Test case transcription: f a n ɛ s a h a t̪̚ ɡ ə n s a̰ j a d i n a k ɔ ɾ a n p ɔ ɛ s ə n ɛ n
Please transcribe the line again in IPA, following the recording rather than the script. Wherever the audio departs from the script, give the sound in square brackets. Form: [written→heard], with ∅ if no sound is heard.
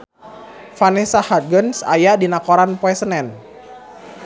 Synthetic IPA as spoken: f a n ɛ s a h a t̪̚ ɡ ə n s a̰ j a d i n a k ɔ ɾ a n p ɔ ɛ s ə n ɛ n